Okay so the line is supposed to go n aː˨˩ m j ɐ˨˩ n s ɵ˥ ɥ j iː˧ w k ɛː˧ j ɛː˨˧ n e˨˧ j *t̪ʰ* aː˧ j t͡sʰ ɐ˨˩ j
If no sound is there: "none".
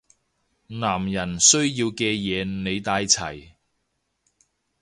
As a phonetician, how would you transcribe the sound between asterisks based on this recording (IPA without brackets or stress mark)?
t̪